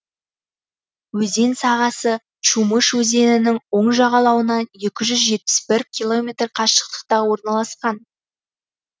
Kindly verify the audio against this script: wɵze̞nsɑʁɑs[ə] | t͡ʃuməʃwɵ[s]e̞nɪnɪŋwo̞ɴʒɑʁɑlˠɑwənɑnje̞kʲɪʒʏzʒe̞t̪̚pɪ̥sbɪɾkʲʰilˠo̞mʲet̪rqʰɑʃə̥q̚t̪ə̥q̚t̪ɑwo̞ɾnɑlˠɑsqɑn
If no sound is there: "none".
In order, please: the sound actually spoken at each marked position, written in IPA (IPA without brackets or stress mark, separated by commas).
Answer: ə, z